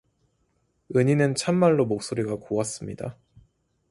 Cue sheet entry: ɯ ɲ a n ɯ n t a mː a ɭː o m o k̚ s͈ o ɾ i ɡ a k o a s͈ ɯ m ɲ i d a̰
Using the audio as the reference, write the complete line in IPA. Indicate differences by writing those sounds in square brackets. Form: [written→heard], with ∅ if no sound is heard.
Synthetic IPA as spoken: ɯ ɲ [a→i] n ɯ n [t→t͡ɕʰ] a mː a ɭː o m o k̚ s͈ o ɾ i ɡ a k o a s͈ ɯ m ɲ i d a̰